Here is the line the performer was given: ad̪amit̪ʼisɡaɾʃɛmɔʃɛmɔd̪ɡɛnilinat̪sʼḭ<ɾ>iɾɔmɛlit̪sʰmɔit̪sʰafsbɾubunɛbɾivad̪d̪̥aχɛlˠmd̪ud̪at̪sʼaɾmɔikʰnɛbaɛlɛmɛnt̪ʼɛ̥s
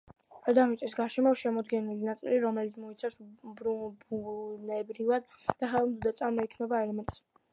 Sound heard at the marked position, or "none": l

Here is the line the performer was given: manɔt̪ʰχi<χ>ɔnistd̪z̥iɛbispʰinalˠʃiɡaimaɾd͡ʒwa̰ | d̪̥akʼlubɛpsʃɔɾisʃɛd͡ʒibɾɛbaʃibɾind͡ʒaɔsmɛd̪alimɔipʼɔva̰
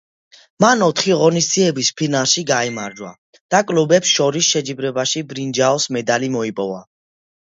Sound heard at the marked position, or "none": ʁ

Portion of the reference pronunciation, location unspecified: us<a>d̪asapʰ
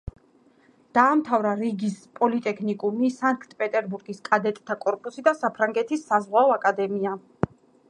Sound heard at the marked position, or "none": i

